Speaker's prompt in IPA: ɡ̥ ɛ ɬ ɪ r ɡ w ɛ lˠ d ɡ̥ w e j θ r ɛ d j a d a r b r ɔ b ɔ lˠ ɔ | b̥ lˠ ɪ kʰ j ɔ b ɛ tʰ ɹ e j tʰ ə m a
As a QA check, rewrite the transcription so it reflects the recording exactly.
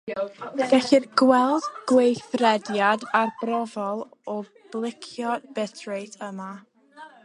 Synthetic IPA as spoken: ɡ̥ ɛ ɬ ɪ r ɡ w ɛ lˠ d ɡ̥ w e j θ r ɛ d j a d a r b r ɔ v ɔ lˠ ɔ | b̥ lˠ ɪ kʰ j ɔ b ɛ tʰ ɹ e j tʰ ə m a